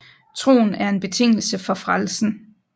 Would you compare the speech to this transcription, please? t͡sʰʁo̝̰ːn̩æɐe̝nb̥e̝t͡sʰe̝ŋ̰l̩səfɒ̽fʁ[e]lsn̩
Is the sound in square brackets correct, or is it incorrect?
incorrect